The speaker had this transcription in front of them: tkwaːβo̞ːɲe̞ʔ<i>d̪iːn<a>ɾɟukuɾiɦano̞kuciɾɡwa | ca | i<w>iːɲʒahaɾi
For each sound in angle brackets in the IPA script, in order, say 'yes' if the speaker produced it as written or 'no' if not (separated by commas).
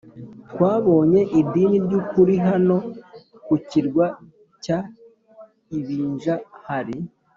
yes, no, no